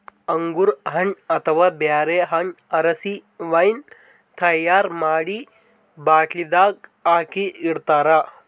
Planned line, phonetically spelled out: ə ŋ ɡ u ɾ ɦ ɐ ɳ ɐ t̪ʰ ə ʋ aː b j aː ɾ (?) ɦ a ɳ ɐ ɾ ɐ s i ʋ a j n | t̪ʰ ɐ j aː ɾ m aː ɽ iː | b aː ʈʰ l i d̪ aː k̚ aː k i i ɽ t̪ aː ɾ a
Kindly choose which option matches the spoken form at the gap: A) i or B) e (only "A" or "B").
B